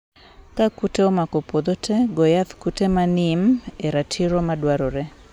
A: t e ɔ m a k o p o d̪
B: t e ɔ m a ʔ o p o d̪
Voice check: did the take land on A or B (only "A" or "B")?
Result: A